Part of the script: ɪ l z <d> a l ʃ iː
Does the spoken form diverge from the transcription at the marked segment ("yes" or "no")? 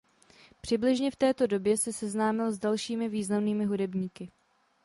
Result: no